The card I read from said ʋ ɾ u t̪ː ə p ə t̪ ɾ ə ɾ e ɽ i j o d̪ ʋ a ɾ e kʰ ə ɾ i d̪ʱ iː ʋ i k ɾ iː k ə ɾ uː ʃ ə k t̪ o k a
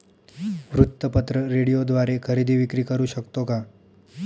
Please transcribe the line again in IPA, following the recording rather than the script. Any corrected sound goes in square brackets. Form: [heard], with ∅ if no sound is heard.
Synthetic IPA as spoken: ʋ ɾ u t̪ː ə p ə t̪ ɾ ə ɾ e ɽ i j o d̪ ʋ a ɾ e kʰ ə ɾ i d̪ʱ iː ʋ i k ɾ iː k ə ɾ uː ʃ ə k t̪ o k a